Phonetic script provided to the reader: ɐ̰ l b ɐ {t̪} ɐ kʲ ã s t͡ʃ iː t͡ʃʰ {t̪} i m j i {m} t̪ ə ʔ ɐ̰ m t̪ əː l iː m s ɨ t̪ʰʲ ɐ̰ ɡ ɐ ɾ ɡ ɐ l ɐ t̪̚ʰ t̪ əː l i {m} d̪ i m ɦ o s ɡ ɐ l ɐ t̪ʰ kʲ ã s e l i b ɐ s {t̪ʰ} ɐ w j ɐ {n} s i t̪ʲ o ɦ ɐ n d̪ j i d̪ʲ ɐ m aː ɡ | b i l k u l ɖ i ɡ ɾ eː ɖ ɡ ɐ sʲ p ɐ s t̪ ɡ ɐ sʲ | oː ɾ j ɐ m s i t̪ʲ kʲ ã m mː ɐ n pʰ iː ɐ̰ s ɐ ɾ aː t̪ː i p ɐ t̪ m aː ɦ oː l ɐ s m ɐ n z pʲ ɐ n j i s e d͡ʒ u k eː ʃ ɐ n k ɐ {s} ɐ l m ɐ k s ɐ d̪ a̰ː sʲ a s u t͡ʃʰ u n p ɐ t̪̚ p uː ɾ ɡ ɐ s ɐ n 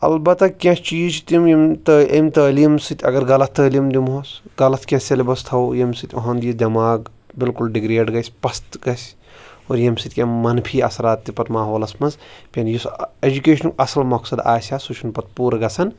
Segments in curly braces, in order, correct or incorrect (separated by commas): correct, correct, correct, correct, correct, incorrect, correct